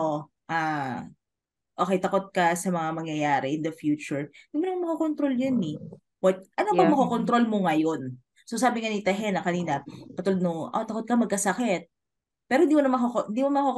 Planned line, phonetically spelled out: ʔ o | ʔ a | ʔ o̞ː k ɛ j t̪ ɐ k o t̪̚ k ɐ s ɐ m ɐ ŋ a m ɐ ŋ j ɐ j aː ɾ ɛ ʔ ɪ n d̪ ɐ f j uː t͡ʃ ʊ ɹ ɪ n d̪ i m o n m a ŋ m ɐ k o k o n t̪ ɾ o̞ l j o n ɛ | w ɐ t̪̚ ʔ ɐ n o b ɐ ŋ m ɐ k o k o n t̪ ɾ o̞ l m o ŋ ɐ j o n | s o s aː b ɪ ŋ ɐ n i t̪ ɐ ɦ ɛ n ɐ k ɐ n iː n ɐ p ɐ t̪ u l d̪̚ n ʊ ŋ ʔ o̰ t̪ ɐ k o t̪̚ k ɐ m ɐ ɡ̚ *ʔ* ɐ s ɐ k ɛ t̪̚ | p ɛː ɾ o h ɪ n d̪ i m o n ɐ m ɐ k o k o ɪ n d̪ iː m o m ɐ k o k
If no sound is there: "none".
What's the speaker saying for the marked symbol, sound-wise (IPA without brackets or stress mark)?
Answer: k